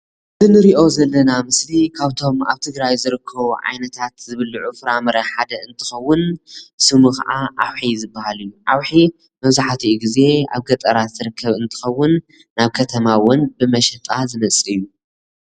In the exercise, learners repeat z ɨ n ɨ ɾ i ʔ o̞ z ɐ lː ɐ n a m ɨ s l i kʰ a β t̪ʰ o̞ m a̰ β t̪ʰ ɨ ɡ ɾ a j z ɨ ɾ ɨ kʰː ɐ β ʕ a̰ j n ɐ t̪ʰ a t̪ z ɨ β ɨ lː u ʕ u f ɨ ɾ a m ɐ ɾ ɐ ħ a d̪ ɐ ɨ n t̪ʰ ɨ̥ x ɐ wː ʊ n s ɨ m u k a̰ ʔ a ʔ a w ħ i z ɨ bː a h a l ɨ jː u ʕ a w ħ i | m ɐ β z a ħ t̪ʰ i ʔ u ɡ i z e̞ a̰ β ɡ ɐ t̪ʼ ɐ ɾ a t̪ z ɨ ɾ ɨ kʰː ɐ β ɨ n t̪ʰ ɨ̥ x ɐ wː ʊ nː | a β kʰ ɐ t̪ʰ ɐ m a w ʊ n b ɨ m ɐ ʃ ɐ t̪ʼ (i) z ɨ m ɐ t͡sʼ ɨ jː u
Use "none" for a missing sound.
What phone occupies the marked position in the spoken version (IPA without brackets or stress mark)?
a